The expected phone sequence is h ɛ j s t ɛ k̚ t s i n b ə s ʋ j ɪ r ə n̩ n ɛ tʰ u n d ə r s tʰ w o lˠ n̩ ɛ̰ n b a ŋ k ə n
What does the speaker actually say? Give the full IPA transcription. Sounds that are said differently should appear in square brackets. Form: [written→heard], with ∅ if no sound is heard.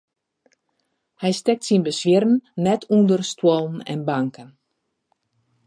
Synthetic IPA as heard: h ɛ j s t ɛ k̚ t s i n b ə s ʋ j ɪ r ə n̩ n ɛ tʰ u n d ə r s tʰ w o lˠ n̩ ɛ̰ n b a ŋ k ə n